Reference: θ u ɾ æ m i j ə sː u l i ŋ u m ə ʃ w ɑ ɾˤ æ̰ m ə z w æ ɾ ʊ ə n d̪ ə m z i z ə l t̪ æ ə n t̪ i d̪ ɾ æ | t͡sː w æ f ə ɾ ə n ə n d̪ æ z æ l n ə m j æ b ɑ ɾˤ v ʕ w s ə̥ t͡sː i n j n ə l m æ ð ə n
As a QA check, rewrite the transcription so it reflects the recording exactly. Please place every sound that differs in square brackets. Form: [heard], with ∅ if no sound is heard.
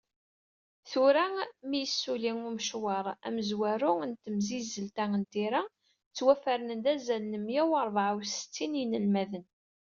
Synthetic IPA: θ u ɾ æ m i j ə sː u l i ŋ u m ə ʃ w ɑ ɾˤ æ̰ m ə z w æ ɾ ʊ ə n [t̪] ə m z i z ə l t̪ æ ə n t̪ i [∅] ɾ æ | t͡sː w æ f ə ɾ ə n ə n d̪ æ z æ l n ə m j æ [w] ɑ ɾˤ v ʕ w s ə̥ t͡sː i n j n ə l m æ ð ə n